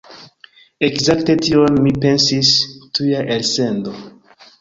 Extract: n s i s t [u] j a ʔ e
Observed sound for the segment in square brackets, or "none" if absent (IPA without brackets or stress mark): u